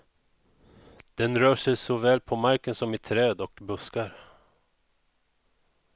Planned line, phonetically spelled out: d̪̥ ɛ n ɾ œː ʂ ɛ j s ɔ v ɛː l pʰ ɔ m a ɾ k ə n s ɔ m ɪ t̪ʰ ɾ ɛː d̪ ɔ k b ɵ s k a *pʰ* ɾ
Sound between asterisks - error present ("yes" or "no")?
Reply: yes